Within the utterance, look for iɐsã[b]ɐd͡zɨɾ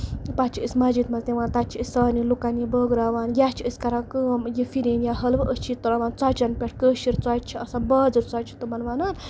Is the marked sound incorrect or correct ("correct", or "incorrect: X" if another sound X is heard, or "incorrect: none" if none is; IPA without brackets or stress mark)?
correct